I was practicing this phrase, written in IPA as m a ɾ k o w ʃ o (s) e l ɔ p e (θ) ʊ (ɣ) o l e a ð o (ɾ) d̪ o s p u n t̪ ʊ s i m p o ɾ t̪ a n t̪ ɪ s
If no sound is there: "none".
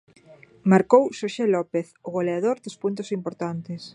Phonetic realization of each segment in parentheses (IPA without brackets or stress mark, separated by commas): ʃ, θ, ɣ, ɾ